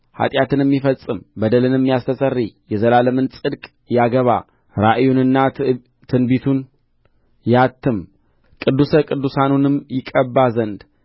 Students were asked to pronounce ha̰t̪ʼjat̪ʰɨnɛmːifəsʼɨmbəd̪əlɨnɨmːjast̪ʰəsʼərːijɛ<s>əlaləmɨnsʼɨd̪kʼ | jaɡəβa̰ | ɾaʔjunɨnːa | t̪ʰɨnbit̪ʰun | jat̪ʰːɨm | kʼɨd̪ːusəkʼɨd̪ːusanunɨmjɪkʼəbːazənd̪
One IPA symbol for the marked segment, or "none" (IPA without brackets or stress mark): z